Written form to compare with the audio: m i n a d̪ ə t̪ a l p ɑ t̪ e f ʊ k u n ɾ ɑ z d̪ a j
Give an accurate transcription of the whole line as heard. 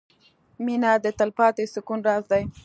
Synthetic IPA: m i n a d̪ ə t̪ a l p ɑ t̪ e s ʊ k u n ɾ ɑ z d̪ a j